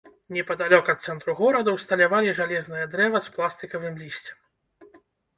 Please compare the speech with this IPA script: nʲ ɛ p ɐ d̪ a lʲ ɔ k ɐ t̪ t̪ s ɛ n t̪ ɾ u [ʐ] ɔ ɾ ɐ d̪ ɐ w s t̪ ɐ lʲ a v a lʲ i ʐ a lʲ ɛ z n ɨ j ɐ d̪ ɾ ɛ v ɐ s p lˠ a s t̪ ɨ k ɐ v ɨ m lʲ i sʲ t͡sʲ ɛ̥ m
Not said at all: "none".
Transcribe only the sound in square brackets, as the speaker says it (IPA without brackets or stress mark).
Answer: ɣ